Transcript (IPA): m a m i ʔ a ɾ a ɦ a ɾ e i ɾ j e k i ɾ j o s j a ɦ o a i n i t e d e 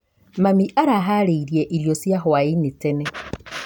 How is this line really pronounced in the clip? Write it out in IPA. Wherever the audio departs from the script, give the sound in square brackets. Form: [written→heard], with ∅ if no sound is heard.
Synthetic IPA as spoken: m a m i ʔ a ɾ a ɦ a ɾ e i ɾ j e [k→ʔ] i ɾ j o s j a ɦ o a i n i t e [d→n] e